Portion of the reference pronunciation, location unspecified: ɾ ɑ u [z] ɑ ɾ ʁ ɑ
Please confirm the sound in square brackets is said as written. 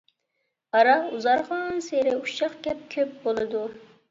yes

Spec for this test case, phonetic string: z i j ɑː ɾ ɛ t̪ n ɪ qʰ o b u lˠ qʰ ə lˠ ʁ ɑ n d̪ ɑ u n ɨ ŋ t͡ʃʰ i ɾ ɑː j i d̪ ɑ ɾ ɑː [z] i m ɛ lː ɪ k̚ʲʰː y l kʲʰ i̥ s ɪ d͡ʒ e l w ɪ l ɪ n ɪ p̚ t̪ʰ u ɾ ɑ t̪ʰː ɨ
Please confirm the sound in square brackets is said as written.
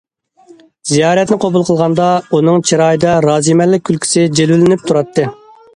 yes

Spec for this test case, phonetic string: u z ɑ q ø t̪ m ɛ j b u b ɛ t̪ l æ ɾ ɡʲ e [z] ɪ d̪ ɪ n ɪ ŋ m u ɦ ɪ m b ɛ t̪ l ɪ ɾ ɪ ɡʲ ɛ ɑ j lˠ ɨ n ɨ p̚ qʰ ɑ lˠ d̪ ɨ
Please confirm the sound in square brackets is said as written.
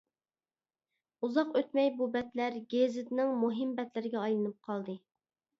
yes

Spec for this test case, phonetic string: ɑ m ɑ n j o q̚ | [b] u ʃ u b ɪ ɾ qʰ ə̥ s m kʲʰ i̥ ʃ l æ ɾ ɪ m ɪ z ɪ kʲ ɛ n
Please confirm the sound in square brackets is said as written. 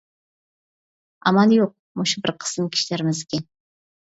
no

